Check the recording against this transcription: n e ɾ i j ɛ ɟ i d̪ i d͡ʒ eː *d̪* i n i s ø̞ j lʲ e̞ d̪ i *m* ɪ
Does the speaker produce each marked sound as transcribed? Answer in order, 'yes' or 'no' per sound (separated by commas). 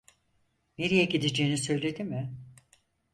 no, yes